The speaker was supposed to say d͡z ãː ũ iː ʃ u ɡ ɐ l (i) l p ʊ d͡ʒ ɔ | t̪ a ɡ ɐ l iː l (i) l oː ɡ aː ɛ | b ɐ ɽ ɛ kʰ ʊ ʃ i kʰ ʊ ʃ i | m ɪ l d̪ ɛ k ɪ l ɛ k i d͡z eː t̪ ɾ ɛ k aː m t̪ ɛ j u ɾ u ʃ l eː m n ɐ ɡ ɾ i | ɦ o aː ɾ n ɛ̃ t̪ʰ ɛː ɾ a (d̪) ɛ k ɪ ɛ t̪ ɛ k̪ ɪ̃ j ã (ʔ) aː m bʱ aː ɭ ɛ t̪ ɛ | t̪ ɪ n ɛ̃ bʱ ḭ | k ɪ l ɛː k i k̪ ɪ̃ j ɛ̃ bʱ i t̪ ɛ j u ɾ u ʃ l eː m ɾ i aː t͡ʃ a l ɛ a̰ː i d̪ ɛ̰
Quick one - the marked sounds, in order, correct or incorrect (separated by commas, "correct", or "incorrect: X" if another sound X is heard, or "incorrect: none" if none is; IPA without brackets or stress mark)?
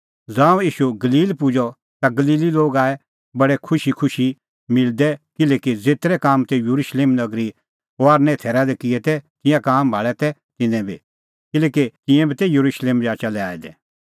incorrect: iː, correct, correct, incorrect: k